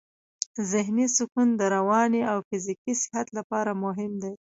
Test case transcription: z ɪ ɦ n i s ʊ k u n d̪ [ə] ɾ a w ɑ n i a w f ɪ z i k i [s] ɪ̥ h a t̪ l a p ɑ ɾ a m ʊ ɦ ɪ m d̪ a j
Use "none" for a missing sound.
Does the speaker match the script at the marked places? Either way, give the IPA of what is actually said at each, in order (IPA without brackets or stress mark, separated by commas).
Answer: ə, s